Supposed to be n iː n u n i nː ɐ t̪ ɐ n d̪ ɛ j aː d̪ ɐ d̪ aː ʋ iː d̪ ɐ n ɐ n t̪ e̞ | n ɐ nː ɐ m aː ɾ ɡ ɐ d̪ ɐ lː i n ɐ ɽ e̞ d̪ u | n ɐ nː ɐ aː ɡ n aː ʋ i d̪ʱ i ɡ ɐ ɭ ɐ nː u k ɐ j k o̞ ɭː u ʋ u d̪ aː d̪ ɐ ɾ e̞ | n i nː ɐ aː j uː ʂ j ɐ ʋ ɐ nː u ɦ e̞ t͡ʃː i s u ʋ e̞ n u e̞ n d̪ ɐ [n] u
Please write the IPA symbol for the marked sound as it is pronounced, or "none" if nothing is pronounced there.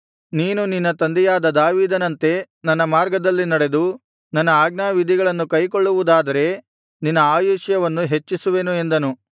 n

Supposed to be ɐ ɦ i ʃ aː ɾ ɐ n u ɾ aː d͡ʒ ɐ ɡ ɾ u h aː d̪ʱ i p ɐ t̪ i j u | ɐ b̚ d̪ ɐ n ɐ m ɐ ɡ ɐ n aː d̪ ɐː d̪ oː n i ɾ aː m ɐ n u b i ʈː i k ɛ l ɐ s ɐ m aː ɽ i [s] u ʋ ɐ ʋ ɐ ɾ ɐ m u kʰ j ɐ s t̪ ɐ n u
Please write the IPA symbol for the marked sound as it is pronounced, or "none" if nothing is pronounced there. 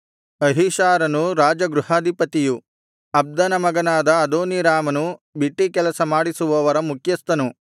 s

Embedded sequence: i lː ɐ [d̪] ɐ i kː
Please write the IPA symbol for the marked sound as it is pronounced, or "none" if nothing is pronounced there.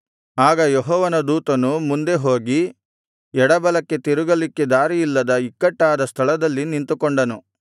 d̪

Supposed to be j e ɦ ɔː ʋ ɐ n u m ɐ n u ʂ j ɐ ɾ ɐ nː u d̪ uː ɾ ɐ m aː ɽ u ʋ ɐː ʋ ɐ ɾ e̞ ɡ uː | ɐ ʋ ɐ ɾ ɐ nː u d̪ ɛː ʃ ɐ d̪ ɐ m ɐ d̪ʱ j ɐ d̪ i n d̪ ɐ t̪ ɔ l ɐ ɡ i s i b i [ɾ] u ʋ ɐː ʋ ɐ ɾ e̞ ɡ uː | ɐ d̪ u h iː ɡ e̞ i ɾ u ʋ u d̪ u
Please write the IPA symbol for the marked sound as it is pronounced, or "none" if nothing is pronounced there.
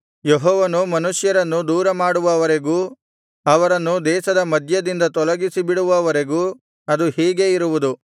ɽ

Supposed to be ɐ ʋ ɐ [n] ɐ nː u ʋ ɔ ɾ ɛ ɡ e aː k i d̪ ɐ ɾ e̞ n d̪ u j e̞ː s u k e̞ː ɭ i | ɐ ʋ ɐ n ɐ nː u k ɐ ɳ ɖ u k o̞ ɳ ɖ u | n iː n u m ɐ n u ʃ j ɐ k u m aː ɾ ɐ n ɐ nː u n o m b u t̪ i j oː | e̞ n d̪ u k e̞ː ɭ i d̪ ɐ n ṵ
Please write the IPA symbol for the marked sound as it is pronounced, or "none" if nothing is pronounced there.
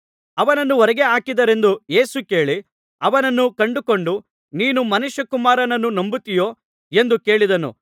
n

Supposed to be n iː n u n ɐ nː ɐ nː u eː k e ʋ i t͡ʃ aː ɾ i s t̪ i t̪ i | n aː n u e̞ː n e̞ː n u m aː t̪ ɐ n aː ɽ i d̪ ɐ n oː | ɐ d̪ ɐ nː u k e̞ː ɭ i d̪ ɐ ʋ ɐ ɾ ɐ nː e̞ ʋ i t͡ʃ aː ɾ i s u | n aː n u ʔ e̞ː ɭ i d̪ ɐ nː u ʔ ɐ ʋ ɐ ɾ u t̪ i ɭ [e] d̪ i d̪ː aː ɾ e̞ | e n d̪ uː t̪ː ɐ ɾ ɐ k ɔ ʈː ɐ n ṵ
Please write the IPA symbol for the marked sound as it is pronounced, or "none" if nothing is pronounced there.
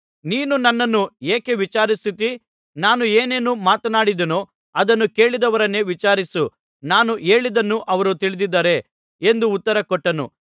i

